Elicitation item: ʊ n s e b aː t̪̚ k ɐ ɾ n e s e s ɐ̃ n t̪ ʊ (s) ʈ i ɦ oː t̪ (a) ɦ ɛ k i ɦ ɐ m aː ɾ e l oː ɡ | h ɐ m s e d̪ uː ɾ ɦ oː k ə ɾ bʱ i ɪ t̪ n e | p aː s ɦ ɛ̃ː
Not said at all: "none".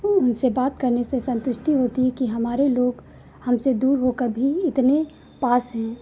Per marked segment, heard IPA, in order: ʃ, i

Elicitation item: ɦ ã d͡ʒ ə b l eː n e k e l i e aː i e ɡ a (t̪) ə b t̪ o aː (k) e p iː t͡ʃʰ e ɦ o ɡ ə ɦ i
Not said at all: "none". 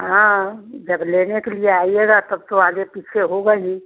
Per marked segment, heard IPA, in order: t̪, ɡ

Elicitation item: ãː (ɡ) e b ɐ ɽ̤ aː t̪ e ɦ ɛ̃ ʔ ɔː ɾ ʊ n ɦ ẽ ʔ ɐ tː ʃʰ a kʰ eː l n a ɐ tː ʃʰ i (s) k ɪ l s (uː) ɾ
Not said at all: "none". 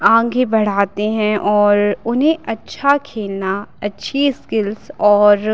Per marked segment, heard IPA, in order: ɡ, s, ɔː

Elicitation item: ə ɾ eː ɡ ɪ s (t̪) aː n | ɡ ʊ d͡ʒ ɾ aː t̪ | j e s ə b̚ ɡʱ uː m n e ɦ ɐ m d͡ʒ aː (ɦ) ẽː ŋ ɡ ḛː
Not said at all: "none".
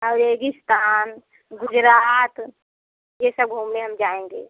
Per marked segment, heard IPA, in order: t̪, none

